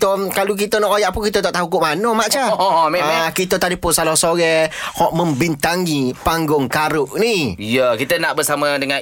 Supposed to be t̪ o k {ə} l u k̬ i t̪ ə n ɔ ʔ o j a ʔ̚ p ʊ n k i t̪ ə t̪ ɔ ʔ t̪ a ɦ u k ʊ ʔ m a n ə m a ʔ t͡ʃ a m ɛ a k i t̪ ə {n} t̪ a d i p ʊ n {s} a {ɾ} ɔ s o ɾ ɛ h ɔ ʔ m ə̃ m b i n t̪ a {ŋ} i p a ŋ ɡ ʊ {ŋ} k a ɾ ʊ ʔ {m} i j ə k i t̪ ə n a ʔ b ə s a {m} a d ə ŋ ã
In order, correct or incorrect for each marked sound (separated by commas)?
incorrect, incorrect, correct, incorrect, correct, correct, incorrect, correct